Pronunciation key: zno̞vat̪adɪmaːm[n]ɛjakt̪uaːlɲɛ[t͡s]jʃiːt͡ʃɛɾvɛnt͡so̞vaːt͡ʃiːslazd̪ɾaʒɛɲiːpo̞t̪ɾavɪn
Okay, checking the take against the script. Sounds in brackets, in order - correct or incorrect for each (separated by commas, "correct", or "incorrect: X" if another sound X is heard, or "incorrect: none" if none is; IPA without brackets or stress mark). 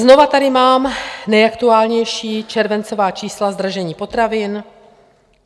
correct, incorrect: none